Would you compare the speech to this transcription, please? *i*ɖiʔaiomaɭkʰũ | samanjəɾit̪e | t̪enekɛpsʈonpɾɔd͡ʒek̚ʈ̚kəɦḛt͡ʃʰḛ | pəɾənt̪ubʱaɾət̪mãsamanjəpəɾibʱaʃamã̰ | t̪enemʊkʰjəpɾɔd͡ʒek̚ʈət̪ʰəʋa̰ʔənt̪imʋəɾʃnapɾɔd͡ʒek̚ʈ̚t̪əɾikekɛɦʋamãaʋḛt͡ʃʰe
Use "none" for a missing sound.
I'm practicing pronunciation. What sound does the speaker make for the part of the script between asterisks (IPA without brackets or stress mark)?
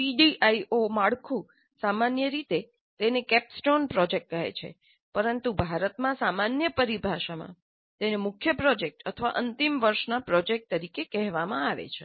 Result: i